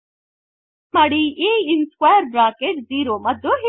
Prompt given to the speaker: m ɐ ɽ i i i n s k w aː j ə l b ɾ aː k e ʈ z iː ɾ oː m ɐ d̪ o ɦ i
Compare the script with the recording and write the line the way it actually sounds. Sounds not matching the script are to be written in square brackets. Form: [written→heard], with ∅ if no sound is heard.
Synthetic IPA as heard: m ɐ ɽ i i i n s k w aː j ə [l→ɾ] b ɾ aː k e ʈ z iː ɾ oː m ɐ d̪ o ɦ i